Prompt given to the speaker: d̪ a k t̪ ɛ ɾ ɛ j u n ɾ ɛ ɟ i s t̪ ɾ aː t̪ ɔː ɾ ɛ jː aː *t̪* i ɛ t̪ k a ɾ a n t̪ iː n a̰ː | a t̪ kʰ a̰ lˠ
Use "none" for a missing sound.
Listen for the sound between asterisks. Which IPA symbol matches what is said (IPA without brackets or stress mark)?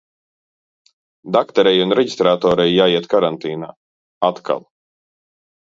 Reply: none